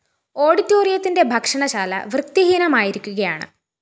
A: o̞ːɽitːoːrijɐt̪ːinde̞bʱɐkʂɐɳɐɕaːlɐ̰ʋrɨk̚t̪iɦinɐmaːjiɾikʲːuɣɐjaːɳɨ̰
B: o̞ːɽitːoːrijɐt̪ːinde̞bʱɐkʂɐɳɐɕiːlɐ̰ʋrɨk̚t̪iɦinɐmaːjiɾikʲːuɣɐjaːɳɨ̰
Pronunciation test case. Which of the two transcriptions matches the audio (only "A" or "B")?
A